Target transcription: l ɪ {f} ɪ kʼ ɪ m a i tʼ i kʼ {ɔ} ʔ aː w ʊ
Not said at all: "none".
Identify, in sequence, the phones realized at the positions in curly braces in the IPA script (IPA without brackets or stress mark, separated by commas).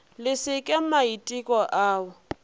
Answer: s, ɔ